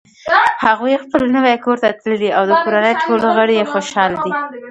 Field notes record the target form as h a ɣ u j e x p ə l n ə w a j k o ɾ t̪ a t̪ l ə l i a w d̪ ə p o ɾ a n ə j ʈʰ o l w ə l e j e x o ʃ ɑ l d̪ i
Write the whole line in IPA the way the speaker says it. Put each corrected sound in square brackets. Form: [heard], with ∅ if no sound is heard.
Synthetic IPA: h a ɣ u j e x p ə l n ə w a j k o ɾ t̪ a t̪ l ə l i a w d̪ ə [k] o ɾ a n ə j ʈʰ o l [ɣ] ə [ɽ] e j e x o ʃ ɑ l d̪ i